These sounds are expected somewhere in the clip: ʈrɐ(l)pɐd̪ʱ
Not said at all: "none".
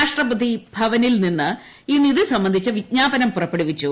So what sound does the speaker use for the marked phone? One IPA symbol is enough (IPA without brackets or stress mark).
none